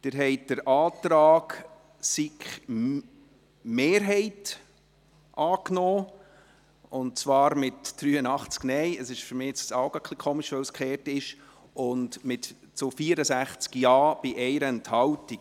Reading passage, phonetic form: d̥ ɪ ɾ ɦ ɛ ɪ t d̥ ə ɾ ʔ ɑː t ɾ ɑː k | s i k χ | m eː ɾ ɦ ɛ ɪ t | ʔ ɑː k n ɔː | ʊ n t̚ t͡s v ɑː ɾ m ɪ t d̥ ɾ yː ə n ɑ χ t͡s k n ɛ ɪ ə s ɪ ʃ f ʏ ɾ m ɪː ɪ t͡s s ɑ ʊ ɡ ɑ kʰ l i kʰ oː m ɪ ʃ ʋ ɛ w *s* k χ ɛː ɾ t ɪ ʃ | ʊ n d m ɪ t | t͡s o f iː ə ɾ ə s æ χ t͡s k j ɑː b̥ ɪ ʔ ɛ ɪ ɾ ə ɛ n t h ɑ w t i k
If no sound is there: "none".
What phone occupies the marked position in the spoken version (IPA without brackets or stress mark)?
s